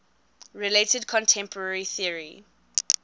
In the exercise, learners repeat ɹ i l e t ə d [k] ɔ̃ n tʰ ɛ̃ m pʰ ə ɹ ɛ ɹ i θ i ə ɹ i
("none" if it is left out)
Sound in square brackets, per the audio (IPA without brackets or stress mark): kʰ